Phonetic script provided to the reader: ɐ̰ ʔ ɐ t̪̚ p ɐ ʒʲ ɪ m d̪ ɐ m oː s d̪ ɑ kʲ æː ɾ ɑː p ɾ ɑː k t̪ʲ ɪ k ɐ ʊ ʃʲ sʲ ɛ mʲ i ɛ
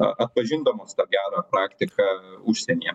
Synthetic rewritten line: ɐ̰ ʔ ɐ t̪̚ p ɐ ʒʲ ɪ n d̪ ɐ m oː s t̪ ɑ ɡʲ æː ɾ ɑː p ɾ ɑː k t̪ʲ ɪ k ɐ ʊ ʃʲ sʲ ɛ nʲ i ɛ